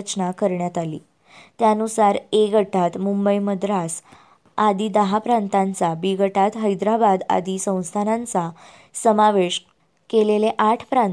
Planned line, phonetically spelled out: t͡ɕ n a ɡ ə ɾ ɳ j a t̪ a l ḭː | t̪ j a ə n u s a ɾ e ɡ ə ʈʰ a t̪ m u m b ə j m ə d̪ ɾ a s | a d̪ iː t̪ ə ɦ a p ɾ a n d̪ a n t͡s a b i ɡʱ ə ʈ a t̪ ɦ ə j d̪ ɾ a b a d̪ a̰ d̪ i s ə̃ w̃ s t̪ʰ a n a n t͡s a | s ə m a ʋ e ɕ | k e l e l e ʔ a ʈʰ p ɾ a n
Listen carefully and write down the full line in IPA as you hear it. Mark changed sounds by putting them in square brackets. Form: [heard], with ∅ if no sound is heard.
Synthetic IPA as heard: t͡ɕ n a [k] ə ɾ ɳ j a t̪ a l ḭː | t̪ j a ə n u s a ɾ e ɡ ə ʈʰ a t̪ m u m b ə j m ə d̪ ɾ a s | a d̪ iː [d̪] ə ɦ a p ɾ a n [t̪] a n t͡s a b i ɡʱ ə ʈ a t̪ ɦ ə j d̪ ɾ a b a d̪ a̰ d̪ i s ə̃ w̃ s t̪ʰ a n a n t͡s a | s ə m a ʋ e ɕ | k e l e l e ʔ a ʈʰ p ɾ a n